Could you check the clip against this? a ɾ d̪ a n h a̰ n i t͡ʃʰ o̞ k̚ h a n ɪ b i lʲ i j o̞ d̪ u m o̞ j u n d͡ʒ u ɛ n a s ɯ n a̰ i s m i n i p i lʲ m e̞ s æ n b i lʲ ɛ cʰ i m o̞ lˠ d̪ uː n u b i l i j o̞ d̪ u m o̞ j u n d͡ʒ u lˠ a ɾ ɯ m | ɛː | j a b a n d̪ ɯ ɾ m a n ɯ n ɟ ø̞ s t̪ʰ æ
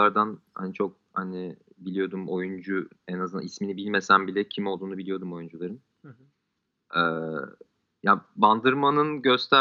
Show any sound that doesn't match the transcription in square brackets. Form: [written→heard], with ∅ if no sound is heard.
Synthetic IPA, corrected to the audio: a ɾ d̪ a n h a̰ n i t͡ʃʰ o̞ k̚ h a n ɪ b i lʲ i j o̞ d̪ u m o̞ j u n d͡ʒ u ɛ n a [s→z] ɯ n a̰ i s m i n i [p→b] i lʲ m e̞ s æ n b i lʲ ɛ cʰ i m o̞ lˠ d̪ uː n u b i l i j o̞ d̪ u m o̞ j u n d͡ʒ u lˠ a ɾ ɯ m | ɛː | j a b a n d̪ ɯ ɾ m a n ɯ n ɟ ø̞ s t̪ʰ æ